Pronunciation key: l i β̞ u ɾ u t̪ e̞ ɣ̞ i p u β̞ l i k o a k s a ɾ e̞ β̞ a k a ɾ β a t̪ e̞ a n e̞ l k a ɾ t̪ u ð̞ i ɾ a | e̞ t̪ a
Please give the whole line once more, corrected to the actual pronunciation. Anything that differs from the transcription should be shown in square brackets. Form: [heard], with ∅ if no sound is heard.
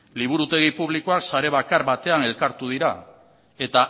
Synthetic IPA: l i β̞ u ɾ u t̪ e̞ ɣ̞ i p u β̞ l i k o a k s a ɾ e̞ β̞ a k a ɾ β a t̪ e̞ a n e̞ l k a ɾ t̪ u ð̞ i ɾ a | e̞ t̪ a

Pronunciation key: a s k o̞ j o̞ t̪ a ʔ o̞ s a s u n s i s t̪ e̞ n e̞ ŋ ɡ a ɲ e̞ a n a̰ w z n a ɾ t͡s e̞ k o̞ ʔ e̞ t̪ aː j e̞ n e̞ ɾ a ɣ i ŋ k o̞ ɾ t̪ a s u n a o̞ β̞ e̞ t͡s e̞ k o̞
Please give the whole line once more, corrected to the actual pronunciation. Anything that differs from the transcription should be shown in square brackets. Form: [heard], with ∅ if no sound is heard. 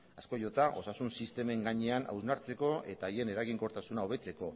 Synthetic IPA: a s k o̞ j o̞ t̪ a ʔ o̞ s a s u n s i s t̪ e̞ [m] e̞ ŋ ɡ a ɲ e̞ a n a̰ w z n a ɾ t͡s e̞ k o̞ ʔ e̞ t̪ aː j e̞ n e̞ ɾ a ɣ i ŋ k o̞ ɾ t̪ a s u n a o̞ β̞ e̞ t͡s e̞ k o̞

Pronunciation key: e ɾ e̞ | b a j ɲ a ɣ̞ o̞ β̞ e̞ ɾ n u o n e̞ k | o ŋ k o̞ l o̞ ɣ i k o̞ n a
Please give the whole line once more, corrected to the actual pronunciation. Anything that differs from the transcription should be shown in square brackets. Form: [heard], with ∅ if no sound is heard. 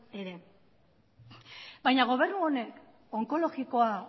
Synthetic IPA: e ɾ e̞ | b a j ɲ a ɣ̞ o̞ β̞ e̞ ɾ n u o n e̞ k | o ŋ k o̞ l o̞ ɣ i k o̞ [∅] a

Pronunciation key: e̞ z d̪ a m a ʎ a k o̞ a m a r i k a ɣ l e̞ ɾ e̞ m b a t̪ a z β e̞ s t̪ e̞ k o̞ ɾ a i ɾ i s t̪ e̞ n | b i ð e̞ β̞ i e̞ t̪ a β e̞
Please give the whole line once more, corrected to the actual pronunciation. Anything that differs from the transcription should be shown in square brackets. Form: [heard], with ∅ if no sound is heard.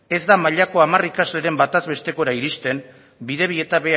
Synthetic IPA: e̞ z d̪ a m a ʎ a k o̞ a m a r i k a [z] l e̞ ɾ e̞ m b a t̪ a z β e̞ s t̪ e̞ k o̞ ɾ a i ɾ i s t̪ e̞ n | b i ð e̞ β̞ i e̞ t̪ a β e̞

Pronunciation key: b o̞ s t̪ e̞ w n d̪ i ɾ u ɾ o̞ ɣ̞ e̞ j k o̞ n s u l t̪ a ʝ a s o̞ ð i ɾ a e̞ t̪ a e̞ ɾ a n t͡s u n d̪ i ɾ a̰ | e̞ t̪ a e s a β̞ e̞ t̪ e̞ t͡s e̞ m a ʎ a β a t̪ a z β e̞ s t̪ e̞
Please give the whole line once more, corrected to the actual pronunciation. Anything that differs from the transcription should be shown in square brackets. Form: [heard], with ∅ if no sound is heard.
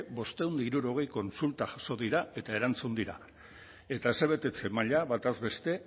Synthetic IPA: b o̞ s t̪ e̞ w n d̪ i ɾ u ɾ o̞ ɣ̞ e̞ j k o̞ n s u l t̪ a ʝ a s o̞ ð i ɾ a e̞ t̪ a e̞ ɾ a n t͡s u n d̪ i ɾ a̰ | e̞ t̪ a e s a β̞ e̞ t̪ e̞ t͡s e̞ m a ʎ a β a t̪ a z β e̞ s t̪ e̞

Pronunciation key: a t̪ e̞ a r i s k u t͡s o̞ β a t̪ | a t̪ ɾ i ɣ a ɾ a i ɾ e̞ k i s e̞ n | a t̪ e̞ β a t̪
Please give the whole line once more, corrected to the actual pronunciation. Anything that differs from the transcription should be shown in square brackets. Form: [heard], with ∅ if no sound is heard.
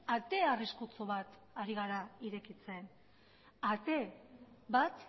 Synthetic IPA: a t̪ e̞ a r i s k u t͡s o̞ β a t̪ | a [∅] ɾ i ɣ a ɾ a i ɾ e̞ k i [t͡s] e̞ n | a t̪ e̞ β a t̪

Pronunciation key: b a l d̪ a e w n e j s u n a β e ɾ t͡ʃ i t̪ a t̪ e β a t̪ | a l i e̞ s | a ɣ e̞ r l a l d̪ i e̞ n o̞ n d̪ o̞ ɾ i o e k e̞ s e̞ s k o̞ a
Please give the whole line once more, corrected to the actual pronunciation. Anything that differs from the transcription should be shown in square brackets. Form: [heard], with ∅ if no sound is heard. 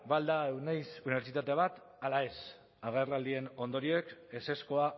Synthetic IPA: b a l d̪ a e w n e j s u n [i] β e ɾ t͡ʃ i t̪ a t̪ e β a t̪ | a l [a] e̞ s | a ɣ e̞ r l a l d̪ i e̞ n o̞ n d̪ o̞ ɾ i o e k e̞ s e̞ s k o̞ a

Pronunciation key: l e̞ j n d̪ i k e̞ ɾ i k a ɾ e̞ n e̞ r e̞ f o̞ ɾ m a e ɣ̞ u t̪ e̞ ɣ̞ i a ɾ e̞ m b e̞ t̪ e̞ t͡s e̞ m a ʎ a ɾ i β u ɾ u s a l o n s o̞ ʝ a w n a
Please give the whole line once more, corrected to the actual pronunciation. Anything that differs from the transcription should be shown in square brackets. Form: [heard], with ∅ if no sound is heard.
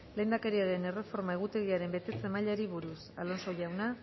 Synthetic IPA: l e̞ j n d̪ [a] k e̞ ɾ i [∅] a ɾ e̞ n e̞ r e̞ f o̞ ɾ m a e ɣ̞ u t̪ e̞ ɣ̞ i a ɾ e̞ m b e̞ t̪ e̞ t͡s e̞ m a ʎ a ɾ i β u ɾ u s a l o n s o̞ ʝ a w n a

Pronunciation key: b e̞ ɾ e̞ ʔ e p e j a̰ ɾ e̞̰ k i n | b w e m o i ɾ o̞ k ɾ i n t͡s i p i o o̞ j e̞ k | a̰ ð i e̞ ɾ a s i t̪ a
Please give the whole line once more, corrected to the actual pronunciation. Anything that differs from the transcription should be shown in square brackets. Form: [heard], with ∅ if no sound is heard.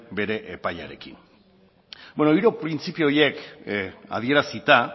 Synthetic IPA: b e̞ ɾ e̞ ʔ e p [a] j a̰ ɾ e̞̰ k i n | b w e [n] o i ɾ o̞ [p] ɾ i n t͡s i p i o o̞ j e̞ k | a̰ ð i e̞ ɾ a s i t̪ a

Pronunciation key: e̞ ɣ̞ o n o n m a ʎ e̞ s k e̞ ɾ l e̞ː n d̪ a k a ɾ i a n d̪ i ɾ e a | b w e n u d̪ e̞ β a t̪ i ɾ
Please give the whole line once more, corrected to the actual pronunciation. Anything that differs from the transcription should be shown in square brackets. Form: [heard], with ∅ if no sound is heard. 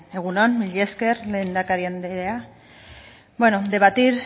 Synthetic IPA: e̞ ɣ̞ [u] n o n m [i] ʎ e̞ s k e̞ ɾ l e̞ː n d̪ a k a ɾ i a n d̪ [e] ɾ e a | b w e n [o] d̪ e̞ β a t̪ i ɾ

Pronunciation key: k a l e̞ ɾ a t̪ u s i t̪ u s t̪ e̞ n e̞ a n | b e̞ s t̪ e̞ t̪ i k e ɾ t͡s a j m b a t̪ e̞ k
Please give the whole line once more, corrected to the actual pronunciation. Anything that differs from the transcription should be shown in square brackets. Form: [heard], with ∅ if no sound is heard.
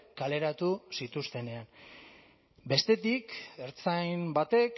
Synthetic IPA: k a l e̞ ɾ a t̪ u s i t̪ u s t̪ e̞ n e̞ a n | b e̞ s t̪ e̞ t̪ i k e ɾ t͡s a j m b a t̪ e̞ k

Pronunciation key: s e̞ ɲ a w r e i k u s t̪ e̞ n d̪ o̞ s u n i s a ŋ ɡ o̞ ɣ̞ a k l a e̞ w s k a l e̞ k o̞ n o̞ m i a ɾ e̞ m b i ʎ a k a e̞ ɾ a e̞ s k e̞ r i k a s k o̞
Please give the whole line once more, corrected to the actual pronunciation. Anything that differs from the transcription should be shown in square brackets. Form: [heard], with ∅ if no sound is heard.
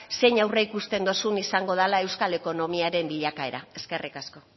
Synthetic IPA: s e̞ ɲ a w r e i k u s t̪ e̞ n d̪ o̞ s u n i s a ŋ ɡ o̞ [ð̞] a [∅] l a e̞ w s k a l e̞ k o̞ n o̞ m i a ɾ e̞ m b i ʎ a k a e̞ ɾ a e̞ s k e̞ r i k a s k o̞

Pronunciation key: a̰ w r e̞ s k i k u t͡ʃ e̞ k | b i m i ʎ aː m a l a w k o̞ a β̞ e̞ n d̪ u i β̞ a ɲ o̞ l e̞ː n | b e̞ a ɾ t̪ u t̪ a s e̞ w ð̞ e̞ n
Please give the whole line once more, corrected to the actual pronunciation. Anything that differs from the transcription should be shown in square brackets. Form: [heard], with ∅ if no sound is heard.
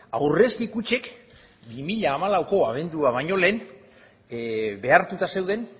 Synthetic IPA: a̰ w r e̞ s k i k u t͡ʃ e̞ k | b i m i ʎ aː m a l a w k o̞ a β̞ e̞ n d̪ u [a] β̞ a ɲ o̞ l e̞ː n | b e̞ a ɾ t̪ u t̪ a s e̞ w ð̞ e̞ n

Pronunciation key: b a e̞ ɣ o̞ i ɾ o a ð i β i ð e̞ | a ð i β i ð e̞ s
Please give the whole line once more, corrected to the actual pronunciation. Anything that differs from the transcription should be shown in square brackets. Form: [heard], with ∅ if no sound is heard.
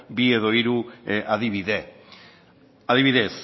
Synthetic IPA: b [i] e̞ [ð] o̞ i ɾ [u] a ð i β i ð e̞ | a ð i β i ð e̞ s

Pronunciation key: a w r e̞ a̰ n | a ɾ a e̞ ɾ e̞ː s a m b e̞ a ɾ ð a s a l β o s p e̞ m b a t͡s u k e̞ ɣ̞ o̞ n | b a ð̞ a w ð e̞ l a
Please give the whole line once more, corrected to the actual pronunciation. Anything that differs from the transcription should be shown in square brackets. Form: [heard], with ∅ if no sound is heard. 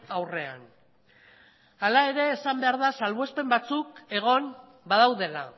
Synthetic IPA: a w r e̞ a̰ n | a [l] a e̞ ɾ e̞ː s a m b e̞ a ɾ ð a s a l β o s p e̞ m b a t͡s u k e̞ ɣ̞ o̞ n | b a ð̞ a w ð e̞ l a

